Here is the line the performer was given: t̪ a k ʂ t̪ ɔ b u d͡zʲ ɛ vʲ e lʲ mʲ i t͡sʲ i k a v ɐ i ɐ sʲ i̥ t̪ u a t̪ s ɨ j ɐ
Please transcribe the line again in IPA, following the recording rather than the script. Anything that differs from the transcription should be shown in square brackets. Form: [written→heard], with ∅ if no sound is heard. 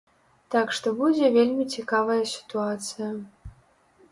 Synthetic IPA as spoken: t̪ a k ʂ t̪ ɔ b u d͡zʲ ɛ vʲ e lʲ mʲ i t͡sʲ i k a v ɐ [i→j] ɐ sʲ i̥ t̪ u a t̪ s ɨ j ɐ